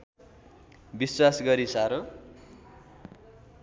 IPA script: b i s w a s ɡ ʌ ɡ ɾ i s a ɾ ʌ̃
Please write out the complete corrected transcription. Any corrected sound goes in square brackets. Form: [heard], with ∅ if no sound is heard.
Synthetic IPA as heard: b i s w a s ɡ ʌ [∅] ɾ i s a ɾ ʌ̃